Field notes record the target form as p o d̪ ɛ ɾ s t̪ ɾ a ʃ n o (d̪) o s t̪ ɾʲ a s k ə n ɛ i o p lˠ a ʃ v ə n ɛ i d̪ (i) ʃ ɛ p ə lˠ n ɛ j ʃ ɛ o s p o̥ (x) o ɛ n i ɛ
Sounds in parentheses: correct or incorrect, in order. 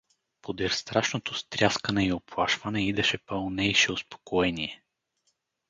incorrect: t̪, incorrect: ɛ, incorrect: k

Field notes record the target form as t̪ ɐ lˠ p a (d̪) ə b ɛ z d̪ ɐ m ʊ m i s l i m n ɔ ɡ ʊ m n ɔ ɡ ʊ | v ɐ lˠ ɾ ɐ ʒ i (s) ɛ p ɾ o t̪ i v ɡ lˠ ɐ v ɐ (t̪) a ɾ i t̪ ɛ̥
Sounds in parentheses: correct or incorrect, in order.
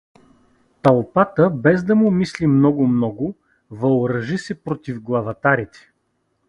incorrect: t̪, correct, correct

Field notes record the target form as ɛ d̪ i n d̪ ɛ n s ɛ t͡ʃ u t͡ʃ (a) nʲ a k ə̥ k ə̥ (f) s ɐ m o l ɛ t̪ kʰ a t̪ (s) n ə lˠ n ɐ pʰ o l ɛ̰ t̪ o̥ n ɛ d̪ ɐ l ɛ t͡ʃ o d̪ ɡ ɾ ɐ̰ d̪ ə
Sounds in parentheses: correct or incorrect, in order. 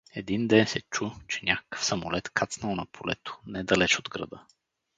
incorrect: ɛ, correct, correct

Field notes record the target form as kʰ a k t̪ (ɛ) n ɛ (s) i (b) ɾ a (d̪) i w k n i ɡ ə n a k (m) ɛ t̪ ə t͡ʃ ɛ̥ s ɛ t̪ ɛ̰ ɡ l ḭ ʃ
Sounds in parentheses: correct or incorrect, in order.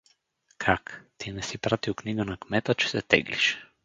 incorrect: i, correct, incorrect: p, incorrect: t̪, correct

